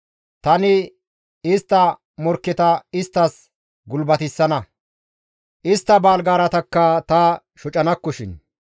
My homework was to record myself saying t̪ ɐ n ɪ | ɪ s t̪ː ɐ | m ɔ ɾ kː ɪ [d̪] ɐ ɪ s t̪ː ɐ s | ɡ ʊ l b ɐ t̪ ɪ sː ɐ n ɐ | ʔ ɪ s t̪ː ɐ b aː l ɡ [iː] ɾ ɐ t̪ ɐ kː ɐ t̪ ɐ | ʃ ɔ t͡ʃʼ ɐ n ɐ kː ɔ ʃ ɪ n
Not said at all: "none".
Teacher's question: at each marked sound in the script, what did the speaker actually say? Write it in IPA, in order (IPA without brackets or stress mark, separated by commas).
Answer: t̪, aː